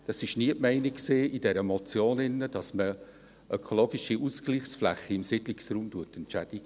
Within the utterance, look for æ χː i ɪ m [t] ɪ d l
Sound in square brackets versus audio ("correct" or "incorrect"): incorrect